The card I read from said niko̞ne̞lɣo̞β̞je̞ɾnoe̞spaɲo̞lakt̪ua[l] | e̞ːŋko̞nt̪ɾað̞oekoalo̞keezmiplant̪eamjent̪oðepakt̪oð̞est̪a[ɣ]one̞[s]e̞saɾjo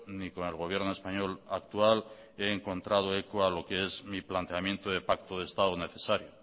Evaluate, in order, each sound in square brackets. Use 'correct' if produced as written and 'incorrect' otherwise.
correct, incorrect: ð, incorrect: θ

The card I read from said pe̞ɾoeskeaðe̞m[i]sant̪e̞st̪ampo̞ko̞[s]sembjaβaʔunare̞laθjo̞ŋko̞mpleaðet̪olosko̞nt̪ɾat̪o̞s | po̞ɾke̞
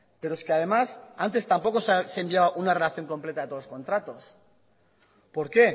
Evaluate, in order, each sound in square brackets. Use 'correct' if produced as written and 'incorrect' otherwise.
incorrect: a, correct

